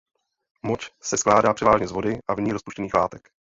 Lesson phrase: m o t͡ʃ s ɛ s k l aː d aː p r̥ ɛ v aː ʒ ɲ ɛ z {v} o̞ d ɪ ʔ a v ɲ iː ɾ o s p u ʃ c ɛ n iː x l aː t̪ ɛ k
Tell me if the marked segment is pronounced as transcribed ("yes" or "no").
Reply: yes